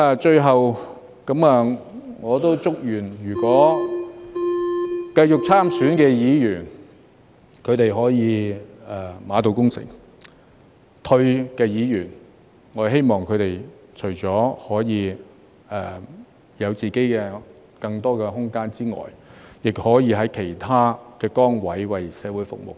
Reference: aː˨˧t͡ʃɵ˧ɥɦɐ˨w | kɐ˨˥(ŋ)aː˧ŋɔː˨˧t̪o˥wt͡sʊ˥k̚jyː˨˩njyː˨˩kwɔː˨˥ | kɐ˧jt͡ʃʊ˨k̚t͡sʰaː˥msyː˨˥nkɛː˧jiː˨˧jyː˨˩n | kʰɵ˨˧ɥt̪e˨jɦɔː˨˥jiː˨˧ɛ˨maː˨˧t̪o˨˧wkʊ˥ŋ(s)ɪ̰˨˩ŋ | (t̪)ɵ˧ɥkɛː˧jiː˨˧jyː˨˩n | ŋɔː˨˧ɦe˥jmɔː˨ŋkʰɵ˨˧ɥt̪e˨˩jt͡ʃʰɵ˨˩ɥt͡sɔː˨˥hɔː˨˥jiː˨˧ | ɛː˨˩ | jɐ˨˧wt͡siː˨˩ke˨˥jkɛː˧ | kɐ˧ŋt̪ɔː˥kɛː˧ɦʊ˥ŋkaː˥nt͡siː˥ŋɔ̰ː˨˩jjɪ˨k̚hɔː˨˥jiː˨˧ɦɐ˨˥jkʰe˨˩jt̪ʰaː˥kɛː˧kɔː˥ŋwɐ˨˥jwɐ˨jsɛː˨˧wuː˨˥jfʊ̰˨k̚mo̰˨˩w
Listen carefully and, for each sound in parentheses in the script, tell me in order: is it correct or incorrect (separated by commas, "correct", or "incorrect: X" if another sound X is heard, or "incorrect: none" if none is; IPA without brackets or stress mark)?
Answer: incorrect: m, correct, incorrect: t̪ʰ